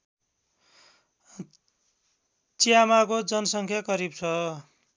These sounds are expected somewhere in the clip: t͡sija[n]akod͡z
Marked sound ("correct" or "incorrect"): incorrect